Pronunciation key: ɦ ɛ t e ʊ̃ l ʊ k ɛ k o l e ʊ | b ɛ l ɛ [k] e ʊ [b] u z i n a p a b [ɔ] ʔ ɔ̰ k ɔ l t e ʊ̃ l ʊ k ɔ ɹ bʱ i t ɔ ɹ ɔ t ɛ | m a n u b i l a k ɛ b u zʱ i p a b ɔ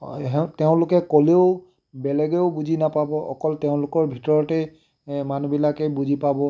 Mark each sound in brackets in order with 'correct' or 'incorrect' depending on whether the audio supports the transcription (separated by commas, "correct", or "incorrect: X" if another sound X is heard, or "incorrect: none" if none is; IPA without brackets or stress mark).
incorrect: ɡ, correct, correct